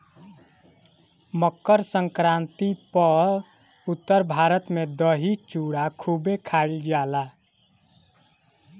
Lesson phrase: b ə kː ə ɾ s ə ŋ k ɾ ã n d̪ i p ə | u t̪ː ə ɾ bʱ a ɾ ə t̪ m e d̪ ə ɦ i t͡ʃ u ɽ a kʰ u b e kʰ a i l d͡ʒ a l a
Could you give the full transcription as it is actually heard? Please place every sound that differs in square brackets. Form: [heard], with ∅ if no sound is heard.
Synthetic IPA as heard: [m] ə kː ə ɾ s ə ŋ k ɾ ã n [t̪] i p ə | u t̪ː ə ɾ bʱ a ɾ ə t̪ m e d̪ ə ɦ i t͡ʃ u ɽ a kʰ u b e kʰ a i l d͡ʒ a l a